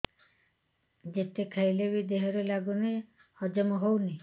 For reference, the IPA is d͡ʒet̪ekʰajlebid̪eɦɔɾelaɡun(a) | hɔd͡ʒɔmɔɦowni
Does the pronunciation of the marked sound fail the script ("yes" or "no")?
yes